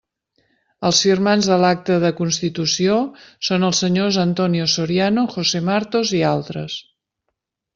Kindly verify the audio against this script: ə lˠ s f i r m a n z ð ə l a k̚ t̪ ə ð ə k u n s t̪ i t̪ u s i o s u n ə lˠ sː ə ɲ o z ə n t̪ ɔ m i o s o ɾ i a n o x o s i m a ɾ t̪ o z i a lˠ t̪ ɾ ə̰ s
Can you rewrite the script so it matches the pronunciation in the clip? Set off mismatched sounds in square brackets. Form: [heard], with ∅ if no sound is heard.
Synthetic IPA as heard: ə lˠ s f i r m a n z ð ə l a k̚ t̪ ə ð ə k u n s t̪ i t̪ u s i o s [o] n ə lˠ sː ə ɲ o z ə n t̪ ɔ [n] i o s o ɾ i a n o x o s [e] m a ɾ t̪ o z i a lˠ t̪ ɾ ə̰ s